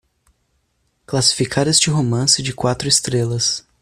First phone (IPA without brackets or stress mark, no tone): k